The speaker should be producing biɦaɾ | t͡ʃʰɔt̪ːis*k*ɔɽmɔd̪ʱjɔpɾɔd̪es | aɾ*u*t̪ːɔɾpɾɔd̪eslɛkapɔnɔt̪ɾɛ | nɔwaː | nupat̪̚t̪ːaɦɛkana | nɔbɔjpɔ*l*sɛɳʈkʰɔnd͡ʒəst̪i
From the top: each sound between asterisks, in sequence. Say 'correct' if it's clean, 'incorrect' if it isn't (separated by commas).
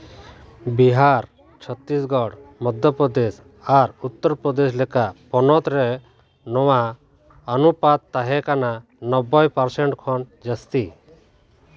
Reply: incorrect, correct, incorrect